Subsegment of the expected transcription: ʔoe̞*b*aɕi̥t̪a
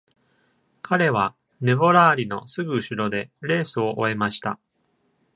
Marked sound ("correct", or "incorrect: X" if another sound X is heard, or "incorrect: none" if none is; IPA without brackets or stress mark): incorrect: m